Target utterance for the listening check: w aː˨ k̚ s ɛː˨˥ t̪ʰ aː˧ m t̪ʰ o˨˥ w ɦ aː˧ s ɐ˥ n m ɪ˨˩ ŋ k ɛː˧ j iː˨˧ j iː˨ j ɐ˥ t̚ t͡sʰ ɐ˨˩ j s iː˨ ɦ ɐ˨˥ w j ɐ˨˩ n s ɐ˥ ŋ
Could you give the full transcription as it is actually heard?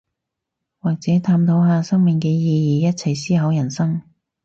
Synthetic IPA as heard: w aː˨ k̚ t͡s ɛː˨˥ t̪ʰ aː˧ m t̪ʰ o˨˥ w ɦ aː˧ s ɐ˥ ŋ m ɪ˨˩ ŋ k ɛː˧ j iː˨˧ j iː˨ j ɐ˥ t̚ t͡sʰ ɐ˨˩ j s iː˥ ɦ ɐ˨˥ w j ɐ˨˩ n s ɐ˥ ŋ